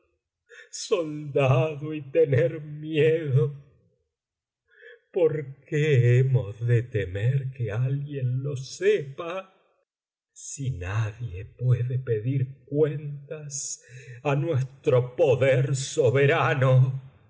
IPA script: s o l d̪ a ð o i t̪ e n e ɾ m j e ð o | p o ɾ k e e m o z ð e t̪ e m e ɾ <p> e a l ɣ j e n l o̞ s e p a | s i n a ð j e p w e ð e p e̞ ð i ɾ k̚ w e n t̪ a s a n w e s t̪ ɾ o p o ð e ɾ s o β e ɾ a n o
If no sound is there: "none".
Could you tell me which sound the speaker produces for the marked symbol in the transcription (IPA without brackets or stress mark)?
k